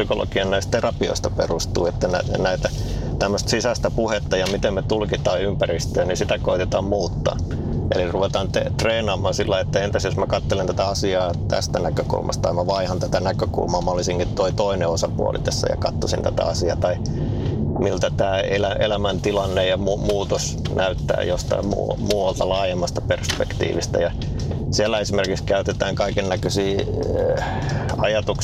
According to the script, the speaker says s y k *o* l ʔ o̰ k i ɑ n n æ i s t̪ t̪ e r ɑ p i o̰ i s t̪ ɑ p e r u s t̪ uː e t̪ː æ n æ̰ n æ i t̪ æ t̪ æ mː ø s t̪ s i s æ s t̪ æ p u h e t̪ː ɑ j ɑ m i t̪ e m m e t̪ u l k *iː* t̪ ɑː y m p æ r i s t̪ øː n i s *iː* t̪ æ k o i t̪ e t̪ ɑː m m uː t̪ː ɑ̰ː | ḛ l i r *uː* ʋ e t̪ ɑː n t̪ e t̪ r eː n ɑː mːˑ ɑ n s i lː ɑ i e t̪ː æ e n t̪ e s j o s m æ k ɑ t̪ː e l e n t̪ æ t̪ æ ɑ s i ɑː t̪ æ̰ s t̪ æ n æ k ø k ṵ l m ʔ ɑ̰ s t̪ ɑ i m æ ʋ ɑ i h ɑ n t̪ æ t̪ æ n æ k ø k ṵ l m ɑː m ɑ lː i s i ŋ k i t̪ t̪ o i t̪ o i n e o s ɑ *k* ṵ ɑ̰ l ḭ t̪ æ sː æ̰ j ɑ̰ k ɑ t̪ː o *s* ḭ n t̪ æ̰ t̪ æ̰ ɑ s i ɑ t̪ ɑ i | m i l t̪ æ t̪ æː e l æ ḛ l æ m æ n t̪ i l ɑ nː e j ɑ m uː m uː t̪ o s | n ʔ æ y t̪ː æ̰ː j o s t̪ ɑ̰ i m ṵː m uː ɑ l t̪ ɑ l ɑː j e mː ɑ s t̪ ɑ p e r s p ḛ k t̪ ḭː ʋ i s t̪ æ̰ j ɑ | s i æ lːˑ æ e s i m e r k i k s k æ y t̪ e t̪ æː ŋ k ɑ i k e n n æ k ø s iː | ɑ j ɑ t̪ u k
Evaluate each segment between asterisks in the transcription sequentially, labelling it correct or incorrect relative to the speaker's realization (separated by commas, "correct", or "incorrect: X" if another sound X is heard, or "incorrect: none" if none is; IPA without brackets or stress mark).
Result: correct, incorrect: i, incorrect: i, incorrect: u, incorrect: p, correct